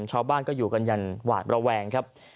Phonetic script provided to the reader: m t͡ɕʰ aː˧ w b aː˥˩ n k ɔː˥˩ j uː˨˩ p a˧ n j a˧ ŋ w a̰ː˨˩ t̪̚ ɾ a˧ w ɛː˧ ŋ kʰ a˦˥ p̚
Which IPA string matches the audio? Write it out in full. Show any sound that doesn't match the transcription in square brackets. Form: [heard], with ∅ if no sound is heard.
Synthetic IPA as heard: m t͡ɕʰ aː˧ w b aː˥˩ n k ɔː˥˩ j uː˨˩ [k] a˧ n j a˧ [n] w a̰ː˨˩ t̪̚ ɾ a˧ w ɛː˧ ŋ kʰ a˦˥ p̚

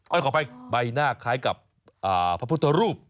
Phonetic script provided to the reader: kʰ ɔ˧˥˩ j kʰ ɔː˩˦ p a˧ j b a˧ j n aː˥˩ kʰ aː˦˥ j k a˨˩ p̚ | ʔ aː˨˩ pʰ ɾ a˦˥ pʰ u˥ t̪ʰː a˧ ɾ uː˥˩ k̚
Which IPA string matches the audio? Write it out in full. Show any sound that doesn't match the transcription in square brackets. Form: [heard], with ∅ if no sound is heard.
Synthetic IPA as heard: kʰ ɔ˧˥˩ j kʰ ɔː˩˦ p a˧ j b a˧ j n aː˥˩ kʰ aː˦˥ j k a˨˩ p̚ | ʔ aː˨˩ pʰ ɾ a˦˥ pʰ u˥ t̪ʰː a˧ ɾ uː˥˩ [p̚]

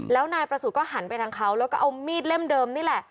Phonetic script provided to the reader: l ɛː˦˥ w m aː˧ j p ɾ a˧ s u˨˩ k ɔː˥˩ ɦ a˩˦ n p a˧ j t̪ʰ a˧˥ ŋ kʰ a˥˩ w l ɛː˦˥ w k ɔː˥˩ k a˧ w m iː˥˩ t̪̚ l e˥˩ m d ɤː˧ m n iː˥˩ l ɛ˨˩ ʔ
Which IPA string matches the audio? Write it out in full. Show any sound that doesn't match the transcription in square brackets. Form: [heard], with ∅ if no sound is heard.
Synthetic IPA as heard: l ɛː˦˥ w [n] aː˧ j p ɾ a˧ s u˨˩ k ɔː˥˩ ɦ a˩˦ n p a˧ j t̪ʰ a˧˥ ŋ kʰ [a˦˥] w l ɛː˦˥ w k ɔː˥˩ [ʔ] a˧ w m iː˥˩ t̪̚ l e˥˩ m d ɤː˧ m n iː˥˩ l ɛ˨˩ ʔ

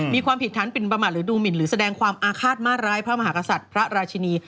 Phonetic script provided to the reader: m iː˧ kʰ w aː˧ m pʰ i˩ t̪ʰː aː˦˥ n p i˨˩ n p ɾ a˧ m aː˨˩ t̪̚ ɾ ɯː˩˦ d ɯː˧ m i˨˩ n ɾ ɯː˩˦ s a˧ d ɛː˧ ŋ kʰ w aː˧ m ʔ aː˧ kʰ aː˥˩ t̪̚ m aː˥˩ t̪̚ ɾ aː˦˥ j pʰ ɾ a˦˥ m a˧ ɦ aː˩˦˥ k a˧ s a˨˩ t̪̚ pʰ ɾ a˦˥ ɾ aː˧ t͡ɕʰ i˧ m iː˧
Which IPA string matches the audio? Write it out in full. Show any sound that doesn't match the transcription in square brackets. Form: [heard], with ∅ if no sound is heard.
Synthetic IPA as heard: m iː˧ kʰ w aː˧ m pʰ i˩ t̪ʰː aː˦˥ n p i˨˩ n p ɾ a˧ m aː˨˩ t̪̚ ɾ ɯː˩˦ d [uː˧] m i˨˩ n ɾ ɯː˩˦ s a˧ d ɛː˧ ŋ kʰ w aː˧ m ʔ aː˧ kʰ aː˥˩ t̪̚ m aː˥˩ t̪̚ ɾ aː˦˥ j pʰ ɾ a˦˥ m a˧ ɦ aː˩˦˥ k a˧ s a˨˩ t̪̚ pʰ ɾ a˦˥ ɾ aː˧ t͡ɕʰ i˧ [n] iː˧

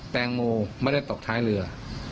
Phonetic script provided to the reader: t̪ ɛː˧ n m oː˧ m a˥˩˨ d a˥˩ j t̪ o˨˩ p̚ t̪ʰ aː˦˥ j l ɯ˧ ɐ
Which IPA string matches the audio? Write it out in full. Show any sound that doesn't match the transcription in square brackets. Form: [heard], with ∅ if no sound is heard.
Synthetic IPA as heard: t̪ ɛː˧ [ŋ] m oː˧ m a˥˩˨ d a˥˩ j t̪ o˨˩ [k̚] t̪ʰ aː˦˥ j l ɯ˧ ɐ

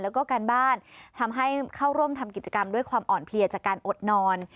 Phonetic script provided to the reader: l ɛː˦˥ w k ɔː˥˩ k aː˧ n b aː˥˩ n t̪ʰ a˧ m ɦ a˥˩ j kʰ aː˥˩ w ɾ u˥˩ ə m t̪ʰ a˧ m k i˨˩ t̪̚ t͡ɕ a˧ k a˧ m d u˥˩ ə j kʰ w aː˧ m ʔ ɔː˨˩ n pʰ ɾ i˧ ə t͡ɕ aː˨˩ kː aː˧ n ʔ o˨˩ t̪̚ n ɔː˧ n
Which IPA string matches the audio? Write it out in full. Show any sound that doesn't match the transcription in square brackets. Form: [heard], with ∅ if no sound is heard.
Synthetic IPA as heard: l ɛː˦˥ w k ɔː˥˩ k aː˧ n b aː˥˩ n t̪ʰ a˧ m ɦ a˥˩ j kʰ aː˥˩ w ɾ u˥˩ ə m t̪ʰ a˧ m k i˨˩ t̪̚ t͡ɕ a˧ k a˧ m d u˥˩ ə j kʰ w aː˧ m ʔ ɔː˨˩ n pʰ [l] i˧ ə t͡ɕ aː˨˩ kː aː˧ n ʔ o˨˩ t̪̚ n ɔː˧ n

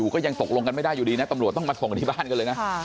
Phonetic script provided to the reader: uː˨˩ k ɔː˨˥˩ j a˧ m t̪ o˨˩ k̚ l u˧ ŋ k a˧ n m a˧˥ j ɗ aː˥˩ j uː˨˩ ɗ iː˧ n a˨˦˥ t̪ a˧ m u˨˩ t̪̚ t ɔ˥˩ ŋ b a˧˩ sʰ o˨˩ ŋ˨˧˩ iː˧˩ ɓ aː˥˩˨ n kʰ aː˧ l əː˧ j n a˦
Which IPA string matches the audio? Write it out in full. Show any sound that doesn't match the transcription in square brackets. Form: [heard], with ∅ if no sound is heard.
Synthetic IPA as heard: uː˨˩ k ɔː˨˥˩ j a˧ [ŋ] t̪ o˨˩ k̚ l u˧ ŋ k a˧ n m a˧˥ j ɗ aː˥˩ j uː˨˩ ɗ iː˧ n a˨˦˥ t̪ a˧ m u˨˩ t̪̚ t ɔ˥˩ ŋ [m] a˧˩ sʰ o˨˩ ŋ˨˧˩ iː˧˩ ɓ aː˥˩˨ n [k] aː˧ l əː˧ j n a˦

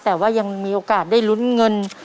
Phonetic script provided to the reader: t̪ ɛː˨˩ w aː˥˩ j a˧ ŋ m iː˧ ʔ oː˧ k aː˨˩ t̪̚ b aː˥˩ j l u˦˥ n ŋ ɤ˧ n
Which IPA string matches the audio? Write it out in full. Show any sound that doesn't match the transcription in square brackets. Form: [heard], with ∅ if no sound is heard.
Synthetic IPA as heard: t̪ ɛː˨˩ w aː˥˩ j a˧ ŋ m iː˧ ʔ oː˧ k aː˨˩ t̪̚ [d] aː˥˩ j l u˦˥ n ŋ ɤ˧ n

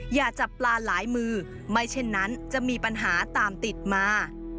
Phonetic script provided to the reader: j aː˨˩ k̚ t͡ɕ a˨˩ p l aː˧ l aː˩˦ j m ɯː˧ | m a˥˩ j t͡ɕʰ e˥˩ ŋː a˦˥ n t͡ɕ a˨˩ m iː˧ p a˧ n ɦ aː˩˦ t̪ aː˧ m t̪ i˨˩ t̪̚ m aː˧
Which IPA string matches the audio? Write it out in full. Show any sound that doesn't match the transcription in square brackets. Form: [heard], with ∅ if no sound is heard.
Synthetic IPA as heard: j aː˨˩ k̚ t͡ɕ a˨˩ p l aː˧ l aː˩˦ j m ɯː˧ | m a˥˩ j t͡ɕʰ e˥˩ [nː] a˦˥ n t͡ɕ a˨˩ m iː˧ p a˧ n ɦ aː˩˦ t̪ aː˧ m t̪ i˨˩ t̪̚ m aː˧

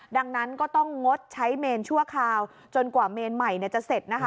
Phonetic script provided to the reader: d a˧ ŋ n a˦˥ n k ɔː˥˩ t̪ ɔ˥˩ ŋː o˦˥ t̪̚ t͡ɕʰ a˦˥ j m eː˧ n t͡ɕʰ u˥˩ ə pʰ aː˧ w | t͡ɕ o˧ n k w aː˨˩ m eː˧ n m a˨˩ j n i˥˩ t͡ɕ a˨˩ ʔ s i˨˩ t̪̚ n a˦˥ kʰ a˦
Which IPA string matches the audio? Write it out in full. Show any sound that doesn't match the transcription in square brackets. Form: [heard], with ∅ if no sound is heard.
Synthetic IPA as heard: d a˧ ŋ n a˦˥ n k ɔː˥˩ t̪ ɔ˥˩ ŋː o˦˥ t̪̚ t͡ɕʰ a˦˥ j m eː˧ n t͡ɕʰ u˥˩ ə [kʰ] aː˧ w | t͡ɕ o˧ n k w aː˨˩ m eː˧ n m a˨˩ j n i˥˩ t͡ɕ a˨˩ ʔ s [e˨˩] t̪̚ n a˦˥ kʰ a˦

